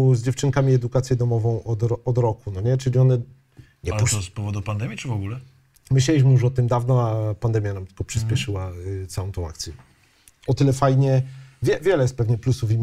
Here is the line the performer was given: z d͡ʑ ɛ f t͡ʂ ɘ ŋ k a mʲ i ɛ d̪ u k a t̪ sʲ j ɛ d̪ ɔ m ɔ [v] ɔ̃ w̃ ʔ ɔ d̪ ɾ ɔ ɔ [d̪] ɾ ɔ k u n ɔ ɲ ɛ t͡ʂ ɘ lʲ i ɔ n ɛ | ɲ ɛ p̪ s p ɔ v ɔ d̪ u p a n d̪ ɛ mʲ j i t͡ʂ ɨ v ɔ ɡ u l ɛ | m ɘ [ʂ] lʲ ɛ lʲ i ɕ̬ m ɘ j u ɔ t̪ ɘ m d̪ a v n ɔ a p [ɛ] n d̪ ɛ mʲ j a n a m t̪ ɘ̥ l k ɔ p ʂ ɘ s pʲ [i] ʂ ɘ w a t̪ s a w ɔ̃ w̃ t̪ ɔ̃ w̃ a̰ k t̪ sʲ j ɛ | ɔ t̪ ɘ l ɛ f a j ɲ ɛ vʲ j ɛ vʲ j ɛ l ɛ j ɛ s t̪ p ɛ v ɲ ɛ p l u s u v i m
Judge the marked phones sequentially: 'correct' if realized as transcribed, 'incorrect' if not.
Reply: correct, correct, incorrect: ɕ, incorrect: a, incorrect: ɛ

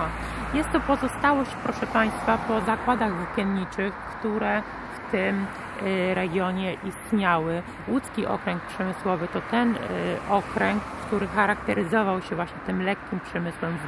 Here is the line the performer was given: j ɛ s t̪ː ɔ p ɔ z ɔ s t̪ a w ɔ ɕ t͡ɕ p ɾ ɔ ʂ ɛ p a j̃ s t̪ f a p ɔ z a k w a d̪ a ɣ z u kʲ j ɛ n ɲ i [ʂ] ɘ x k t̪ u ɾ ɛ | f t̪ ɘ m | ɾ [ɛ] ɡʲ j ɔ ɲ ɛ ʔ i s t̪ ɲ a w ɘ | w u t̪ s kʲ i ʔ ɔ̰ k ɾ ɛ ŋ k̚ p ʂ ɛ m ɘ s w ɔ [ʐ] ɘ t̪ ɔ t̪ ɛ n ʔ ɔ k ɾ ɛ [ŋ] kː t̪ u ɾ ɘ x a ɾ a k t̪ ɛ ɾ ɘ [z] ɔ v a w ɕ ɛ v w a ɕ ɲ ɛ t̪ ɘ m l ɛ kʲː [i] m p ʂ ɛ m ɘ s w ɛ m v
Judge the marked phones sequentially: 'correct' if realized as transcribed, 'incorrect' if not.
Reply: incorrect: t͡ʂ, correct, incorrect: v, correct, correct, correct

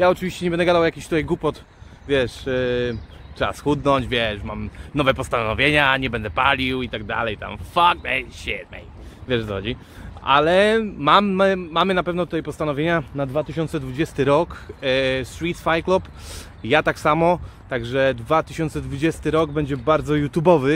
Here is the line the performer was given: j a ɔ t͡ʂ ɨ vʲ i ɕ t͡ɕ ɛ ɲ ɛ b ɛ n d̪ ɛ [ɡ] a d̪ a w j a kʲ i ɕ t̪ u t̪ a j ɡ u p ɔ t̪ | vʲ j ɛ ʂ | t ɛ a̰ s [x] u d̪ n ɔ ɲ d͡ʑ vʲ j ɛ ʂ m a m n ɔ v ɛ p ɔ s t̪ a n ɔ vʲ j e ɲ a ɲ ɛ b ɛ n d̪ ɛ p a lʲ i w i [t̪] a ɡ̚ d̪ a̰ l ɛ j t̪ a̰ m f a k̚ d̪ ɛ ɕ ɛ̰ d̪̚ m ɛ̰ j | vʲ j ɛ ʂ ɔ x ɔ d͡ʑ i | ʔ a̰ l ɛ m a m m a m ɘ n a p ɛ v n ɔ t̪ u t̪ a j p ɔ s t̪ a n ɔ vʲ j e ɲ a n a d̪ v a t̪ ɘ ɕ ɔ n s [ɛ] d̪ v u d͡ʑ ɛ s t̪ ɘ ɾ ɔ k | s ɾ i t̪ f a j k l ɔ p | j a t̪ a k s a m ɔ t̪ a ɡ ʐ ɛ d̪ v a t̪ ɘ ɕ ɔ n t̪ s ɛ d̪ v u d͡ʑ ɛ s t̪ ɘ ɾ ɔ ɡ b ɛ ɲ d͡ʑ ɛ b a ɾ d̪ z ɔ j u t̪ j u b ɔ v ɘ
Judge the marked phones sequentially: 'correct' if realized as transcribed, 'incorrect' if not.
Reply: correct, correct, correct, correct

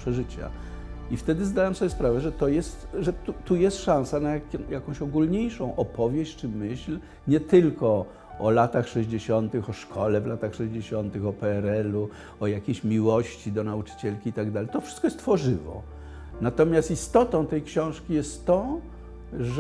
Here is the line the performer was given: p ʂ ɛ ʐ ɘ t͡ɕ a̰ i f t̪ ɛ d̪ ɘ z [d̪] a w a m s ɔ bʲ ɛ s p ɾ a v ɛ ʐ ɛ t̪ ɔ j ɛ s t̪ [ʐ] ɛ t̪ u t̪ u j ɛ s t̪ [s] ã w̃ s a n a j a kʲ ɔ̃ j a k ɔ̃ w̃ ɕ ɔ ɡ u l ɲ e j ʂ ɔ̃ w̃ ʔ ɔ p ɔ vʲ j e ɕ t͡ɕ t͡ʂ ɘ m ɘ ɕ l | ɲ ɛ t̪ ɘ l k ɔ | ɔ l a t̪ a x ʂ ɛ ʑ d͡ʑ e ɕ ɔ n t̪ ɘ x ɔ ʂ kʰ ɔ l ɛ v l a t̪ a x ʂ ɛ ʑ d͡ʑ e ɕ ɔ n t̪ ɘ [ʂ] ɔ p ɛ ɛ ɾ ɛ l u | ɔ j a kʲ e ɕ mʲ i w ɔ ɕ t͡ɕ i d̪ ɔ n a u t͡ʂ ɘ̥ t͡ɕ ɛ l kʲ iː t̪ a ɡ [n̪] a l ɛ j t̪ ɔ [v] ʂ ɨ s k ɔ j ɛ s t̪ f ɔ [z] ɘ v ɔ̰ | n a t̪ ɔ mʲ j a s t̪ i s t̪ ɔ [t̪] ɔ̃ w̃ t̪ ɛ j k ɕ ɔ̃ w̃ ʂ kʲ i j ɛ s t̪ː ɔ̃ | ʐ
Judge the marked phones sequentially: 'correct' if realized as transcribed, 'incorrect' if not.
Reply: correct, correct, incorrect: ʂ, incorrect: x, incorrect: d̪, incorrect: f, incorrect: ʐ, correct

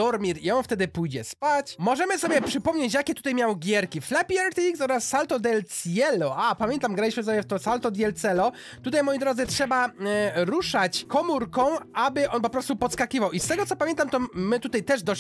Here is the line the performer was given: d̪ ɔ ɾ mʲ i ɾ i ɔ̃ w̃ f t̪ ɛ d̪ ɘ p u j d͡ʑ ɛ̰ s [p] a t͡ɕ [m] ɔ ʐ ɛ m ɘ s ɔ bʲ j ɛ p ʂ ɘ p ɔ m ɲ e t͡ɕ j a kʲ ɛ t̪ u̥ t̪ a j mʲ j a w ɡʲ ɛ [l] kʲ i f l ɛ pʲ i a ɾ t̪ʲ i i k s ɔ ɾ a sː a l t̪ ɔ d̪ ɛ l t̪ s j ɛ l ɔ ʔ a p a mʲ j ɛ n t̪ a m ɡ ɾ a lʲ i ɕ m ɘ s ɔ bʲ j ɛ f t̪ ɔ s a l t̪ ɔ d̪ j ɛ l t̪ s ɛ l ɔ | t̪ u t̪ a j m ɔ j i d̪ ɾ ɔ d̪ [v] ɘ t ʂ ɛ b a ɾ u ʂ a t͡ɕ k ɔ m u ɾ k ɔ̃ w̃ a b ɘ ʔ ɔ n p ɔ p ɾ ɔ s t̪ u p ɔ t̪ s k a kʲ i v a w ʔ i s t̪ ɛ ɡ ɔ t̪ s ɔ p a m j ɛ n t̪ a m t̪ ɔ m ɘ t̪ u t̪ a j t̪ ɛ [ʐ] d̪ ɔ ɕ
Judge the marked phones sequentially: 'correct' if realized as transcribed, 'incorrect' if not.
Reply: correct, correct, incorrect: ɾ, incorrect: z, correct

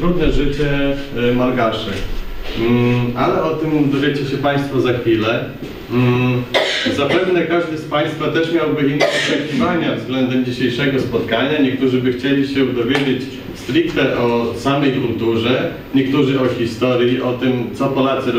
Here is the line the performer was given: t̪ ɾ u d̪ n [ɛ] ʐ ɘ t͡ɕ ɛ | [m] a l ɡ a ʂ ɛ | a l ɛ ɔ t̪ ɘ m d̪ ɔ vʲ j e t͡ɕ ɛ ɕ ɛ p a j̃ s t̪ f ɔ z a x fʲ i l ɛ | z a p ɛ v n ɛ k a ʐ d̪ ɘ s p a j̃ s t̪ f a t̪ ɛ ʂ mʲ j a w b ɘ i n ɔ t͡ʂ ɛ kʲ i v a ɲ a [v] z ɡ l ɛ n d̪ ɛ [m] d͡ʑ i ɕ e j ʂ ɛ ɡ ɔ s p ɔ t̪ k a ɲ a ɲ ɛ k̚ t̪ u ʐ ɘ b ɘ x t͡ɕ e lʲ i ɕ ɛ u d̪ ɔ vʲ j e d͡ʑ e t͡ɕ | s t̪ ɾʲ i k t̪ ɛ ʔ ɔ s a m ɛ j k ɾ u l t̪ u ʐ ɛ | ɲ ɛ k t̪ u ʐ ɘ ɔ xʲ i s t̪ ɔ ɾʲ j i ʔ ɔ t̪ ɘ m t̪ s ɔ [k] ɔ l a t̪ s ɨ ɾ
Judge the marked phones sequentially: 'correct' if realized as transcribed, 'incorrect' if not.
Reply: correct, correct, correct, correct, incorrect: p

